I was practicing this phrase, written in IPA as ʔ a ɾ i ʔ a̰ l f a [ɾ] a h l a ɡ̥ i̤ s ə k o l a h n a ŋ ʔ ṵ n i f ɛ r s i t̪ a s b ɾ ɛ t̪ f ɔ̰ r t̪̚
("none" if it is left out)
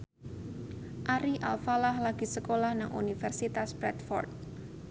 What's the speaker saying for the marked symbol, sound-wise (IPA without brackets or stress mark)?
l